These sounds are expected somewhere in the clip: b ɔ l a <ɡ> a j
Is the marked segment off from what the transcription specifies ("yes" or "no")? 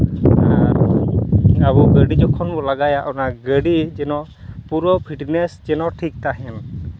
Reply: no